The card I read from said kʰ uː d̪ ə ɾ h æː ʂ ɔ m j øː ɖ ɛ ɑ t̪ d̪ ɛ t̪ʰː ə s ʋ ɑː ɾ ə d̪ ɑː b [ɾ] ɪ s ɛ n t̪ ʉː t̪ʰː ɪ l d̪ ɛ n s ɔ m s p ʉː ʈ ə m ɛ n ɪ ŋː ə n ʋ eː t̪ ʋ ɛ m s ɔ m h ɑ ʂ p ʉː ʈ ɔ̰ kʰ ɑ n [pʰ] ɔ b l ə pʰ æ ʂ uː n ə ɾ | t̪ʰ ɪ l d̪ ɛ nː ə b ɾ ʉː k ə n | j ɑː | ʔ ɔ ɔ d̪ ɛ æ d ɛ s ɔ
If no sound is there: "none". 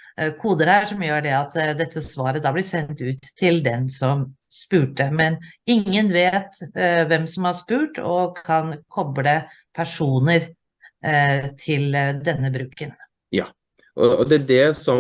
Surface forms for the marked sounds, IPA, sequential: l, kʰ

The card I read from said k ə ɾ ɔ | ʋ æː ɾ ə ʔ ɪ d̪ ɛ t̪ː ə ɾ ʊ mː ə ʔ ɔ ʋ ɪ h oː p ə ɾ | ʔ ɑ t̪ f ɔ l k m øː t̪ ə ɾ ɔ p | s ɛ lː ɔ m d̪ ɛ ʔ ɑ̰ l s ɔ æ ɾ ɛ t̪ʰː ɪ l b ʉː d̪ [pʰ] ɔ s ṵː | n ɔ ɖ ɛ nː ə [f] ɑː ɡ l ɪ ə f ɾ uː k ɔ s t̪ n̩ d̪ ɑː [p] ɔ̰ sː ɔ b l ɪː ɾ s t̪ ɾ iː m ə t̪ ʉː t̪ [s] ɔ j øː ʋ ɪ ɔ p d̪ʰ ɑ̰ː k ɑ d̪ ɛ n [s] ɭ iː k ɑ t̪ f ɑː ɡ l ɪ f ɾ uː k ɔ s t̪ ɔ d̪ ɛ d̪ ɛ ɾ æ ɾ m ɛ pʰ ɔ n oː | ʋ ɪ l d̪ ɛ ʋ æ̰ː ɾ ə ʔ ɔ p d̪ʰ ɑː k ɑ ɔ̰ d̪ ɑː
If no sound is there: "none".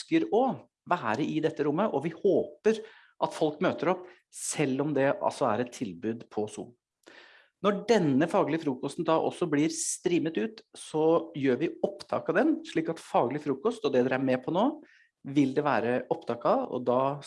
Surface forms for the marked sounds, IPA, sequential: pʰ, f, ʔ, s, ʂ

